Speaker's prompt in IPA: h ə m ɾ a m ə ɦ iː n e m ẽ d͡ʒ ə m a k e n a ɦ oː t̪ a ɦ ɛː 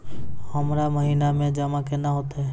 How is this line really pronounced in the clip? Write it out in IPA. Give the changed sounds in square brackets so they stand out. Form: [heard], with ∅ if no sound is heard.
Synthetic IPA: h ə m ɾ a m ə ɦ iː n [a] m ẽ d͡ʒ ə m a k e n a ɦ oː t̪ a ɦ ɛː

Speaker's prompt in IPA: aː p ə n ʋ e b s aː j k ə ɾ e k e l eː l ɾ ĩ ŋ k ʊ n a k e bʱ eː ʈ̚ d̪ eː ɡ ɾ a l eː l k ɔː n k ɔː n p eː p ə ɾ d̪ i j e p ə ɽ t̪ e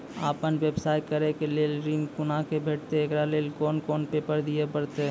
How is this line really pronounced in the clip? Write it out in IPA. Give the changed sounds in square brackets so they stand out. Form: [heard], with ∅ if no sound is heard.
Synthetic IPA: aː p ə n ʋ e b s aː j k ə ɾ e k e l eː l ɾ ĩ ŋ k ʊ n a k e bʱ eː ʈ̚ [t̪] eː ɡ ɾ a l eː l k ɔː n k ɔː n p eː p ə ɾ d̪ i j e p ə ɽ t̪ e

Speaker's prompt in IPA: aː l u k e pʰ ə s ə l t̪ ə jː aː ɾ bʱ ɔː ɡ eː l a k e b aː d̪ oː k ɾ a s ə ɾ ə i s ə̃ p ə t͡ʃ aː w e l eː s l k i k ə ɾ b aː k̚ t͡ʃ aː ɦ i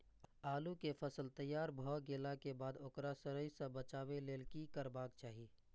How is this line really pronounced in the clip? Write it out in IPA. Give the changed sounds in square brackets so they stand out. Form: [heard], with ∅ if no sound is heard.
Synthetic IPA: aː l u k e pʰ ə s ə l t̪ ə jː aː ɾ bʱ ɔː ɡ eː l a k e b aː d̪ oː k ɾ a s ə ɾ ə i s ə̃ [b] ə t͡ʃ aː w e l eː [∅] l k i k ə ɾ b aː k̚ t͡ʃ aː ɦ i

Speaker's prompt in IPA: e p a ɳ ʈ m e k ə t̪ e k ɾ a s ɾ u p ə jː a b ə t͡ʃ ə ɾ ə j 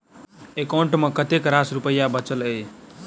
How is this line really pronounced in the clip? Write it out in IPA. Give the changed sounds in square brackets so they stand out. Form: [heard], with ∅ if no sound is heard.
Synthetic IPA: e [k] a ɳ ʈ m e k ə t̪ e k ɾ a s ɾ u p ə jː a b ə t͡ʃ ə [l] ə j

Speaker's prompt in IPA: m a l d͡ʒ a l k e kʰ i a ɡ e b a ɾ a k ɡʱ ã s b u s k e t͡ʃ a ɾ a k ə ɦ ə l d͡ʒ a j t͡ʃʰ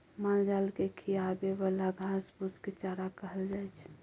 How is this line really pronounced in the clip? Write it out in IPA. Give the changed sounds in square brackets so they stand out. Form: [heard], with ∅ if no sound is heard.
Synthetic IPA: m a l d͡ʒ a l k e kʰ i a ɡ e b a [l] a [∅] ɡʱ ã s b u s k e t͡ʃ a ɾ a k ə ɦ ə l d͡ʒ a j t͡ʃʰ

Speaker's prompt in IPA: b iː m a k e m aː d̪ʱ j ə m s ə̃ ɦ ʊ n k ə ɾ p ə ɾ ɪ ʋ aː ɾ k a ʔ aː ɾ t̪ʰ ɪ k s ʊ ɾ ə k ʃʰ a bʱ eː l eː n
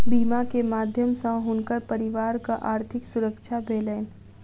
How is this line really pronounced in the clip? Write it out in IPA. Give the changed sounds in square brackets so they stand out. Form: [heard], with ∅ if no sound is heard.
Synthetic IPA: b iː m a k e m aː d̪ʱ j ə m s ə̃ ɦ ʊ n k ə ɾ p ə ɾ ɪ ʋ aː ɾ k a ʔ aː ɾ t̪ʰ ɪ k s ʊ ɾ ə k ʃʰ a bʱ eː l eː n

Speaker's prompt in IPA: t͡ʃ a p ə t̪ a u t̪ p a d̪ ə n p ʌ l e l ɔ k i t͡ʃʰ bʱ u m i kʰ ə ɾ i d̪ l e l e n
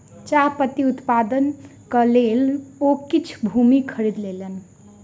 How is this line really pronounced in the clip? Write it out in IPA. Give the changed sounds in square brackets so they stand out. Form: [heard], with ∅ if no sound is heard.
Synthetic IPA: t͡ʃ a p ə t̪ [i] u t̪ p a d̪ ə n [k] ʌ l e l [o] k i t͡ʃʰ bʱ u m i kʰ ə ɾ i d̪ l e l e n

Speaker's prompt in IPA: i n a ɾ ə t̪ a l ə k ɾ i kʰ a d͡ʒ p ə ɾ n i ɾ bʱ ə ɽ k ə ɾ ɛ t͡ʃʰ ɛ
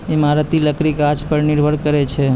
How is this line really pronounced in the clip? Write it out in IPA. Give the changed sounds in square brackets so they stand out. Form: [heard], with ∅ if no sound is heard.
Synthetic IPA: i [m] a ɾ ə t̪ [i] l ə k ɾ i [k] a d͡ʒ p ə ɾ n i ɾ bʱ ə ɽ k ə ɾ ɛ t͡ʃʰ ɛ

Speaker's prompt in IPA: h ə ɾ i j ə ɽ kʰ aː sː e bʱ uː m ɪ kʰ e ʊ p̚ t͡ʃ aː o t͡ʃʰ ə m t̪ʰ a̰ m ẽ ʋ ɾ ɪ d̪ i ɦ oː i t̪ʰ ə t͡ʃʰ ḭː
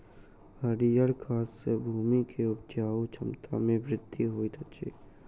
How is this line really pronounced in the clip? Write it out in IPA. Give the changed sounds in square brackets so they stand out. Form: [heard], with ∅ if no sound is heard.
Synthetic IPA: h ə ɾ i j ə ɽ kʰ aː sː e bʱ uː m [i] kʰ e ʊ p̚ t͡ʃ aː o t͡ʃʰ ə m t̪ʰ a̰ m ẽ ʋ ɾ ɪ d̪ i ɦ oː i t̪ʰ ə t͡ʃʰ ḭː

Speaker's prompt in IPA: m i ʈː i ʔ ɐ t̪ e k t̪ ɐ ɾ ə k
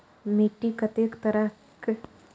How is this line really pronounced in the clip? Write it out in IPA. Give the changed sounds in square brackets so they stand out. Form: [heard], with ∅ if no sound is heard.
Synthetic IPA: m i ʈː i [k] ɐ t̪ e k t̪ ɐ ɾ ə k

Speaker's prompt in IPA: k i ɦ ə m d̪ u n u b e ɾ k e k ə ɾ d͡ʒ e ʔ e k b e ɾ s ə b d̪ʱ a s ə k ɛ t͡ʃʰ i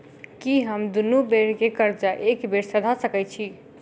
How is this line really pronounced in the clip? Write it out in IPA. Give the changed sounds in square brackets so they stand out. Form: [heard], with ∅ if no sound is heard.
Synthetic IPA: k i ɦ ə m d̪ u n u b e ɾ k e k ə ɾ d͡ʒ [a] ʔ e k b e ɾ s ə [∅] d̪ʱ a s ə k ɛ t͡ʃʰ i

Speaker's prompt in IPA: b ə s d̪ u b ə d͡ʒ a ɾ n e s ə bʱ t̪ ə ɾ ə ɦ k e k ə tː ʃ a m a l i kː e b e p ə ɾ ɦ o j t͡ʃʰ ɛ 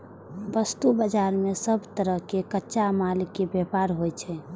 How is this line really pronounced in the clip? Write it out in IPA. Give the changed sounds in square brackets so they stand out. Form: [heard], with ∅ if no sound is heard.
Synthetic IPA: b ə s [t̪] u b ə d͡ʒ a ɾ [m] e s ə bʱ t̪ ə ɾ ə ɦ k e k ə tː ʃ a m a l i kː e b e p [a] ɾ ɦ o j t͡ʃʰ ɛ

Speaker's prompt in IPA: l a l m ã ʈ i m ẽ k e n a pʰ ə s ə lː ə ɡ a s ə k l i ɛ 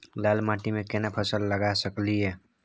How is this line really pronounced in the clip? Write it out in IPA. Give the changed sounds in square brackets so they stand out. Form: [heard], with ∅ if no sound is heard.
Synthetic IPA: l a l m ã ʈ i m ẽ k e n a pʰ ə s ə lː ə ɡ a s ə k l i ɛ

